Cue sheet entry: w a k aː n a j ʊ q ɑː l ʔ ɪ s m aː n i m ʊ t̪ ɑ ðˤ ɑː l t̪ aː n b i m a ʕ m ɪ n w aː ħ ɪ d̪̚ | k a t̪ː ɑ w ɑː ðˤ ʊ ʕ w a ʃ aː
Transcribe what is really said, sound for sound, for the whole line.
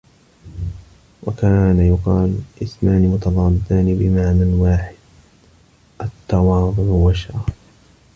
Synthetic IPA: w a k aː n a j ʊ q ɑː l ʔ ɪ s m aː n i m ʊ t̪ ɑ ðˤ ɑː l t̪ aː n b ɪ m a ʕ m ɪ n w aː ħ ɪ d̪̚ | ʔ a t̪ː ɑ w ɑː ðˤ ʊ ʕ w a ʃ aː